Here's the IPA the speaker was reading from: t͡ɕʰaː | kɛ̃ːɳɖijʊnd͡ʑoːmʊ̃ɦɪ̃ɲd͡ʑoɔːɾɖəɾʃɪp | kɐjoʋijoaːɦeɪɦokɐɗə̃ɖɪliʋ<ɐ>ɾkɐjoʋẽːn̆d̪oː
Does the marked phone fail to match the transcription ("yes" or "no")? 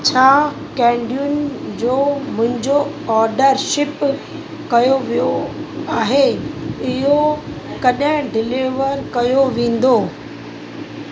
yes